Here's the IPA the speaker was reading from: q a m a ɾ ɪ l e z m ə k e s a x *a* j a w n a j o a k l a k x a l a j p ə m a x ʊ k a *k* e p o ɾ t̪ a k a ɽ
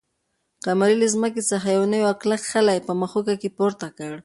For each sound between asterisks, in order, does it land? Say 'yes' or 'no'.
yes, yes

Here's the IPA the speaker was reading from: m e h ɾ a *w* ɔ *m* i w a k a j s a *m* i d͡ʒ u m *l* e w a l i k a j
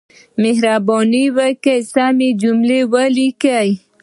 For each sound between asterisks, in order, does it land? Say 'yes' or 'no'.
no, no, yes, yes

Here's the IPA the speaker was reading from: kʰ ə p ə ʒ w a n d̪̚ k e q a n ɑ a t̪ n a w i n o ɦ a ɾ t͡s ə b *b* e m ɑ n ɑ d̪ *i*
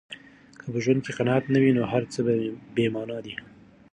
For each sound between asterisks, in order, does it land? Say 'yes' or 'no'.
yes, yes

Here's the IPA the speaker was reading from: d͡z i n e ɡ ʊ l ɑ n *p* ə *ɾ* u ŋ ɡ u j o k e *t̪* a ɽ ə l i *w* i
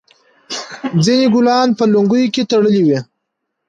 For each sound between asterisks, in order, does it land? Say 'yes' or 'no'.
yes, no, yes, yes

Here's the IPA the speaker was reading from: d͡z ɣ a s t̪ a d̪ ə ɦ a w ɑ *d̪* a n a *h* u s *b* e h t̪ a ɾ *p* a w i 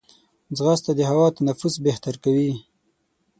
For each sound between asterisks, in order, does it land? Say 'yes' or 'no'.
no, no, yes, no

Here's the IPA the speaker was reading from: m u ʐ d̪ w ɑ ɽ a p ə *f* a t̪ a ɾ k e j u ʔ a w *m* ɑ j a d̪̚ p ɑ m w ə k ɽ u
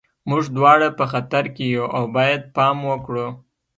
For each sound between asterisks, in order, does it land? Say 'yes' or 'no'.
no, no

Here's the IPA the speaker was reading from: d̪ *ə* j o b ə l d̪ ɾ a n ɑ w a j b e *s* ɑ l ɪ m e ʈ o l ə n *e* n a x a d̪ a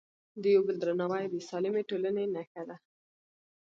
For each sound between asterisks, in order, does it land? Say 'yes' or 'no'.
yes, yes, yes

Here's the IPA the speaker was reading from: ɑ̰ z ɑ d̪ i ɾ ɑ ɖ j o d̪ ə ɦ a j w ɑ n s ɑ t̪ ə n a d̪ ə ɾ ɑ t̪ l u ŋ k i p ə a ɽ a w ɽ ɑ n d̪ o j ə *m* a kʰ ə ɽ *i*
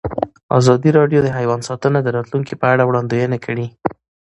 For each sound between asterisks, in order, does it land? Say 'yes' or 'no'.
no, yes

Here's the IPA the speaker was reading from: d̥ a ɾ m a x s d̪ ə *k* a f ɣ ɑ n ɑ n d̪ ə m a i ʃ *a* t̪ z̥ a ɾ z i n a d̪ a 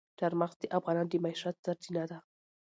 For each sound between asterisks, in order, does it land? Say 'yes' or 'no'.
no, yes

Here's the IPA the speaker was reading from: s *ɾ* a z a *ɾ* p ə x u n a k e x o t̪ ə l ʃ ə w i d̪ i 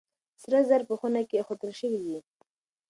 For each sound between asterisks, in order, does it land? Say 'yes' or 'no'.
yes, yes

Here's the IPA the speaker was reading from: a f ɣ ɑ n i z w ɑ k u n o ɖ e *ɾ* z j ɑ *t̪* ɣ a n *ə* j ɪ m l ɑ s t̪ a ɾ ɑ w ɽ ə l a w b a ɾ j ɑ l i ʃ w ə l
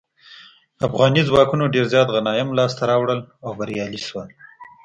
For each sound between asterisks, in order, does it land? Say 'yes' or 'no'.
yes, yes, no

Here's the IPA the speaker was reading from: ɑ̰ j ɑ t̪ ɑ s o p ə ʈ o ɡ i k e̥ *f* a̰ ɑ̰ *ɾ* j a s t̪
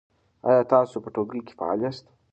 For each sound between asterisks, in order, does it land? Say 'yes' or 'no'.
yes, no

